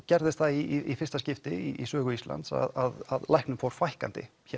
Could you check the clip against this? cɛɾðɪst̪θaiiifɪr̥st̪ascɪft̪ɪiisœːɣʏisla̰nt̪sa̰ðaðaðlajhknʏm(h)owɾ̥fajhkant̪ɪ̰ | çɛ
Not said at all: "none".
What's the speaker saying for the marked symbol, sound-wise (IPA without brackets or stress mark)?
f